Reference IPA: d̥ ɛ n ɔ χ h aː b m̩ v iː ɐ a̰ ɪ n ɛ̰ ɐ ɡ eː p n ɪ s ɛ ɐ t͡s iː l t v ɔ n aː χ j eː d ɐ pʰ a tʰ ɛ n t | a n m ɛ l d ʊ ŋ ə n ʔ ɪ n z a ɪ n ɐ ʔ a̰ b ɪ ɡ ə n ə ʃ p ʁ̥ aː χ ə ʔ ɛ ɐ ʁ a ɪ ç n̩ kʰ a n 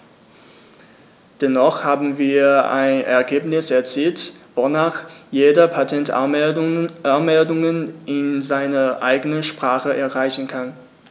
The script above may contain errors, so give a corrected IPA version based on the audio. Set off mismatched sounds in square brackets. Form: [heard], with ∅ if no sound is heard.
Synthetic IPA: d̥ ɛ n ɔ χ h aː b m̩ v iː ɐ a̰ ɪ n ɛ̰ ɐ ɡ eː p n ɪ s ɛ ɐ t͡s iː l t v [o] n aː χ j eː d ɐ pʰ a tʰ ɛ n t | a n m ɛ l d ʊ ŋ ə n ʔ ɪ n z a ɪ n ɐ ʔ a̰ [∅] ɪ ɡ ə n ə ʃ p ʁ̥ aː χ ə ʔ ɛ ɐ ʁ a ɪ ç n̩ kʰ a n